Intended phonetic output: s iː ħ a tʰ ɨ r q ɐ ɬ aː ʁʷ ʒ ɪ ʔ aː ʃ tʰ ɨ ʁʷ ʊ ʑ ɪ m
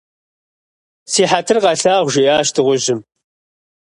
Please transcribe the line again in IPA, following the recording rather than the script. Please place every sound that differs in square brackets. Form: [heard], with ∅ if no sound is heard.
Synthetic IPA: s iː ħ a tʰ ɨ r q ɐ ɬ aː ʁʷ ʒ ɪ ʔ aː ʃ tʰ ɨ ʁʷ ʊ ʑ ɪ m